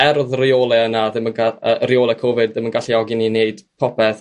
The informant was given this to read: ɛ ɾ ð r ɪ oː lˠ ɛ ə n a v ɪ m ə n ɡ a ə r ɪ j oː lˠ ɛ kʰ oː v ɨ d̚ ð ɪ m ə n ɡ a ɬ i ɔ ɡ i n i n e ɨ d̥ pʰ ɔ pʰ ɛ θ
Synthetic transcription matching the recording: ɛ ɾ ð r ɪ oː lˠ ɛ ə n a ð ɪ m ə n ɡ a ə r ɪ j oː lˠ ɛ kʰ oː v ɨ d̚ ð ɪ m ə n ɡ a ɬ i ɔ ɡ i n i n e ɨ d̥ pʰ ɔ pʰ ɛ θ